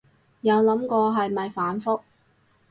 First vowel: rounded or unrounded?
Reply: unrounded